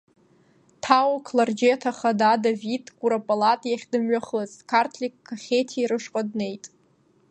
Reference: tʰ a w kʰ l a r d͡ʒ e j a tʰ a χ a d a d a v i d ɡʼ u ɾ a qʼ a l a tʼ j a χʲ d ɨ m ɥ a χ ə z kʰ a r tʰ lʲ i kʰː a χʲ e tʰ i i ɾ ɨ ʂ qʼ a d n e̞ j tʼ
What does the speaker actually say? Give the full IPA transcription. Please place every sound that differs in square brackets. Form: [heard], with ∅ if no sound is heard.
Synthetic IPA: tʰ a w kʰ l a r d͡ʒ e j a tʰ a χ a d a d a v i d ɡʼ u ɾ a [pʼ] a l a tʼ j a χʲ d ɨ m ɥ a χ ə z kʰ a r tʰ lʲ i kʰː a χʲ e tʰ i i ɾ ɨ ʂ qʼ a d n e̞ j tʼ